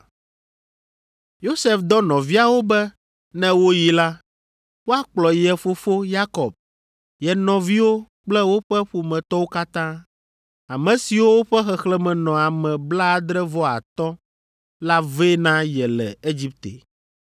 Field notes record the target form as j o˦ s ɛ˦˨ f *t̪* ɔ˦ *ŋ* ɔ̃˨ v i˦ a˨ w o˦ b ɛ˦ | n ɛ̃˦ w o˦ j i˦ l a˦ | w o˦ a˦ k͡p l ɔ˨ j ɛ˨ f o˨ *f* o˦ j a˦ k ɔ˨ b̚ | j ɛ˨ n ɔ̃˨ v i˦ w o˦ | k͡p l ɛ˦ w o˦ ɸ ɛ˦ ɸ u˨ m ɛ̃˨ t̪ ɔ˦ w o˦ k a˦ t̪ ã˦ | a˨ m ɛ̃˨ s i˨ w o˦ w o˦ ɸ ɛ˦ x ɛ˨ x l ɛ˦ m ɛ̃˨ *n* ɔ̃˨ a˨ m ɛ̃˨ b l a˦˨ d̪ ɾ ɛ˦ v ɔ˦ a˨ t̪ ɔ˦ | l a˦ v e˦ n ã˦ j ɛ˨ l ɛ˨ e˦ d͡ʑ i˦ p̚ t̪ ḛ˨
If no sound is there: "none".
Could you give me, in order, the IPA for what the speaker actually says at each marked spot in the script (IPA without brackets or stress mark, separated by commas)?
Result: d̪, n, f, n